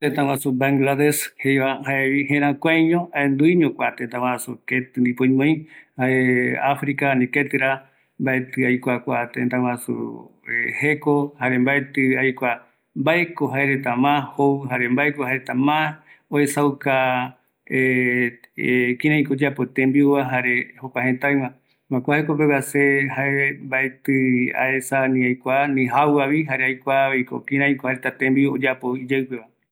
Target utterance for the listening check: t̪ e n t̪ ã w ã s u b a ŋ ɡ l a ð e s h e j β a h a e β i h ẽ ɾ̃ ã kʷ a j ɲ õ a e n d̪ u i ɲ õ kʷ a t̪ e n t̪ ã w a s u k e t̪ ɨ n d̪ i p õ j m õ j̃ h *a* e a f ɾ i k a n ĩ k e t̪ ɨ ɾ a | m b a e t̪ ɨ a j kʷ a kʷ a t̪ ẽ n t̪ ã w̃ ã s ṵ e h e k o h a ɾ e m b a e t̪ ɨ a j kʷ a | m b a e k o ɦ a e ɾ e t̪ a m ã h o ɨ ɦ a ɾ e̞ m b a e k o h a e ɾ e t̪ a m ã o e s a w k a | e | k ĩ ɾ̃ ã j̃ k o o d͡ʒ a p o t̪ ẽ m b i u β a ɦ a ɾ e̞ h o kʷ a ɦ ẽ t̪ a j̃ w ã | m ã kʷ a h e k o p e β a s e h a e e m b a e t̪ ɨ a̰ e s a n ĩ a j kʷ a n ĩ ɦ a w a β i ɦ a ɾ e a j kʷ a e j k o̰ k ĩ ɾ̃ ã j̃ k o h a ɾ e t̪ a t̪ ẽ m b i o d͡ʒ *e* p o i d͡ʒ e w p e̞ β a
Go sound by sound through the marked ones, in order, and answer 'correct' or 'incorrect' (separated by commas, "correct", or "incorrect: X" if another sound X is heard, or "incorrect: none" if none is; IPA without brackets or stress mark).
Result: correct, incorrect: a